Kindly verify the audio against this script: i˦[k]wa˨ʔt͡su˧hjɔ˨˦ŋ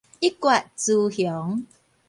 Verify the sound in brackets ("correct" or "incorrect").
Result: correct